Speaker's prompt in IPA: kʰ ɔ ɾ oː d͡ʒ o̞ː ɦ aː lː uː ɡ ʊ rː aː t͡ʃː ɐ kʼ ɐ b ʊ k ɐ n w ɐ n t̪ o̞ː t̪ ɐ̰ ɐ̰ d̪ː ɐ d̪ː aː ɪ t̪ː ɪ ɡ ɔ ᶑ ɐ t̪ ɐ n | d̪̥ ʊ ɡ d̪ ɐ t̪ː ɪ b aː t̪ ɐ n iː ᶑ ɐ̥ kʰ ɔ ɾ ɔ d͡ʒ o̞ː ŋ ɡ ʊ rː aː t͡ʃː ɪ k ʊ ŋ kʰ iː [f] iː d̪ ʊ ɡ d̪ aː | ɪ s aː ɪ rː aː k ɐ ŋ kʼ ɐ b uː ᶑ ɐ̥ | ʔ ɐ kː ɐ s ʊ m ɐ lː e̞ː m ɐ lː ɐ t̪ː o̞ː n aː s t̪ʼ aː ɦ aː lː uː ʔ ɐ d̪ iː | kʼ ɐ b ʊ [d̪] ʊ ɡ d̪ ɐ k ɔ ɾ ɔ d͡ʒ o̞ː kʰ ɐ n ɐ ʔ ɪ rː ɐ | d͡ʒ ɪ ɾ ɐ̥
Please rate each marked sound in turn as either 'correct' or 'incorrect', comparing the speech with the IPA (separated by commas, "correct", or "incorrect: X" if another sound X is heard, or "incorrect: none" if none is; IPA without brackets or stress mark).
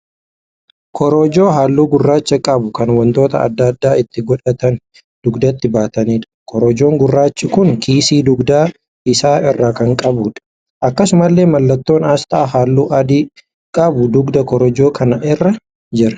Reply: incorrect: s, correct